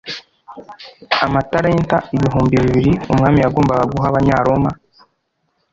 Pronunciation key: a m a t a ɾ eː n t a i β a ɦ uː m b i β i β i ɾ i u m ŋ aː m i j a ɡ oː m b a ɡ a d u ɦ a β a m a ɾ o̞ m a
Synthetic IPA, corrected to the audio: a m a t a ɾ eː n t a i β i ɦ uː m b i β i β i ɾ i u m ŋ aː m i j a ɡ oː m b a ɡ a ɡ u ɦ a β a ɲ a ɾ o̞ m a